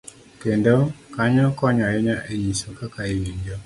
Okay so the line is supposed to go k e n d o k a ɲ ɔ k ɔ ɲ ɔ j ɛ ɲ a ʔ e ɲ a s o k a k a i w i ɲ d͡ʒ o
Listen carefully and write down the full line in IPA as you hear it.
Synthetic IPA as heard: k e n d o k a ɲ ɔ k ɔ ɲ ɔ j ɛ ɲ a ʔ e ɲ i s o k a k a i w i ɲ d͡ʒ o